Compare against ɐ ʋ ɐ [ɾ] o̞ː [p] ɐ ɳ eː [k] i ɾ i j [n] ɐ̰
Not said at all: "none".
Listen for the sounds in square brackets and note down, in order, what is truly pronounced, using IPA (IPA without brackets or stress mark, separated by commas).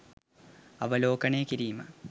l, k, k, m